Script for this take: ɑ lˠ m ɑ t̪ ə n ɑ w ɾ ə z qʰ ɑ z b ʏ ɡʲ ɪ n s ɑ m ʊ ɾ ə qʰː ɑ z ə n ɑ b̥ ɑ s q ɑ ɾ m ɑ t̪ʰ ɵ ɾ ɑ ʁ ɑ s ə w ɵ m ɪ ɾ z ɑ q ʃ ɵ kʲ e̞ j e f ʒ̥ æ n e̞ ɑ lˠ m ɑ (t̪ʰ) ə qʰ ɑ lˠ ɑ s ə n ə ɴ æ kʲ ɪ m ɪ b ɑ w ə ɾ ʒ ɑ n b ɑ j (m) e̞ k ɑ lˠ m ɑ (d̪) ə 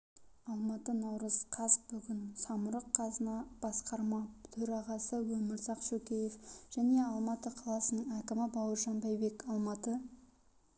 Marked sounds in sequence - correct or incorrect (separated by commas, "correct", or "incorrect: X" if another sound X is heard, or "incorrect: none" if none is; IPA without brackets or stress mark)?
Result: incorrect: t̪, incorrect: b, incorrect: t̪